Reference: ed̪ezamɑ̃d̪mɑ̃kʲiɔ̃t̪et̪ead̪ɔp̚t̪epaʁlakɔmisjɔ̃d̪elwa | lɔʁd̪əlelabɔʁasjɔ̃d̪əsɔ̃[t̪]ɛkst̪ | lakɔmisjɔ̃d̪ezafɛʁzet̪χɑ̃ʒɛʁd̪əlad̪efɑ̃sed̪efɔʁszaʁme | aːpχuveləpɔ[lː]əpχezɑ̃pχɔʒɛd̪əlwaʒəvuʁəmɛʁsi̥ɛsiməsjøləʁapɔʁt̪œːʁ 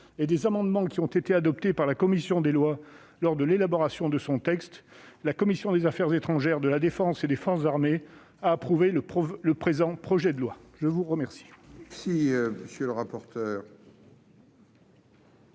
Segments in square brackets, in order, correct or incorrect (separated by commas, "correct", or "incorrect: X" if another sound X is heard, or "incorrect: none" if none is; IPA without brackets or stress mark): correct, incorrect: l